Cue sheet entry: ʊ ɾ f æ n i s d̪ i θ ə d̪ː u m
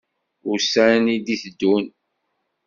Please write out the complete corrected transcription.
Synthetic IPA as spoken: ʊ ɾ s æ n i d̪ i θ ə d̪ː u n